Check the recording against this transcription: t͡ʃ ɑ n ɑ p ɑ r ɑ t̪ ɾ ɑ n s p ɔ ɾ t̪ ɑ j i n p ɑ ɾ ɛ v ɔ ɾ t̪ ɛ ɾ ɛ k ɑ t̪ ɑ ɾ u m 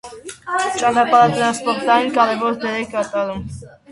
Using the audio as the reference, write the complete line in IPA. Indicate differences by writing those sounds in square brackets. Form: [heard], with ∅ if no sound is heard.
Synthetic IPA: t͡ʃ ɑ n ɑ p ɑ [ɾ] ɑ t̪ ɾ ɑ n s p ɔ ɾ t̪ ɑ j i n [k] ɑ ɾ ɛ v ɔ ɾ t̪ ɛ ɾ ɛ k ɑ t̪ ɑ ɾ u m